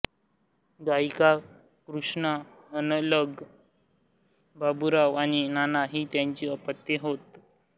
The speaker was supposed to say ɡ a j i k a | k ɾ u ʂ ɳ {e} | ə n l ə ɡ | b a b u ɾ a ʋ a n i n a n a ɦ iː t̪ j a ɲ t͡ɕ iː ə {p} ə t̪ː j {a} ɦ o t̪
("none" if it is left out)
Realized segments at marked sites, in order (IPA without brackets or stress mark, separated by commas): a, p, e